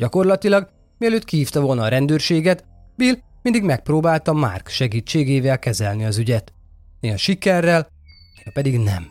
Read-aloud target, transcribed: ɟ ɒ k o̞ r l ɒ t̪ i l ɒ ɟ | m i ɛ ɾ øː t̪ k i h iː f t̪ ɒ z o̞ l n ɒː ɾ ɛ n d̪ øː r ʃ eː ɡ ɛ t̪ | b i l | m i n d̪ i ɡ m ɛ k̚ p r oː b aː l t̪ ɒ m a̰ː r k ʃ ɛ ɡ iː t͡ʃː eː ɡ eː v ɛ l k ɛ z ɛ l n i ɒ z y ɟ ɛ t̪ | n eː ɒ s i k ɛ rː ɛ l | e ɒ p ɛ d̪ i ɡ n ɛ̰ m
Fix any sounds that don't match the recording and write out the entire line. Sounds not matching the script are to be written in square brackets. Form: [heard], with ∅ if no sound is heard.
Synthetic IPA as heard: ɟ ɒ k o̞ r l ɒ t̪ i l ɒ [ɡ] | m i ɛ [l] øː t̪ k i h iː f t̪ ɒ [v] o̞ l n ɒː ɾ ɛ n d̪ øː r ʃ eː ɡ ɛ t̪ | b i l | m i n d̪ i ɡ m ɛ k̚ p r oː b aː l t̪ ɒ m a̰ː r k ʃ ɛ ɡ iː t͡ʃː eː ɡ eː v ɛ l k ɛ z ɛ l n i ɒ z y ɟ ɛ t̪ | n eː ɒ [ʃ] i k ɛ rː ɛ l | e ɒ p ɛ d̪ i ɡ n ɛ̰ m